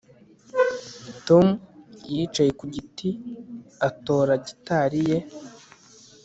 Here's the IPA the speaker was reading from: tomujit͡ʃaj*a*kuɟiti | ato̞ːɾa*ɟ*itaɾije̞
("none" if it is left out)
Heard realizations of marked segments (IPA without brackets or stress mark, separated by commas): e, ɟ